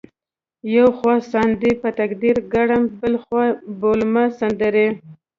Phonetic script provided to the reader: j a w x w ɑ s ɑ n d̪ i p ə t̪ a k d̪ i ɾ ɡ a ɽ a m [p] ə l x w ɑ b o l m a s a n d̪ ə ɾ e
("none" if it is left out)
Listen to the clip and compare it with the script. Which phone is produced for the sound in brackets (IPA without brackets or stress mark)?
b